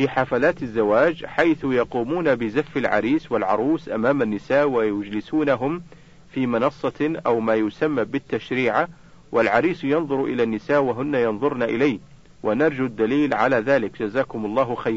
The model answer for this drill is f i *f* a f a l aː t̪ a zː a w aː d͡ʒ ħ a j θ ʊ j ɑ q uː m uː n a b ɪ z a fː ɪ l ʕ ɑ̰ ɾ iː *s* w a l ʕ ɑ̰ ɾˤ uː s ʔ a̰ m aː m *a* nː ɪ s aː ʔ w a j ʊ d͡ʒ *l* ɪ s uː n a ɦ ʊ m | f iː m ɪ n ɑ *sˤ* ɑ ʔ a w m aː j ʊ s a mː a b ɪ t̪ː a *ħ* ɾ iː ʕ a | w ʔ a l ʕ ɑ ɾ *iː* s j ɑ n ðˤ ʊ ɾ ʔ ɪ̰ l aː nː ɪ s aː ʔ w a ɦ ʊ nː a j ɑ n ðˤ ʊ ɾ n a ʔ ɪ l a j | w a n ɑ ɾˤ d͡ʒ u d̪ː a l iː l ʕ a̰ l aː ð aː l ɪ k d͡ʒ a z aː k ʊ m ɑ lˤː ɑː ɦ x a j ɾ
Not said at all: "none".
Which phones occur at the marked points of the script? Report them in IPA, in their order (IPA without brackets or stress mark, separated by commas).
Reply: ħ, s, a, l, sˤː, ʃ, iː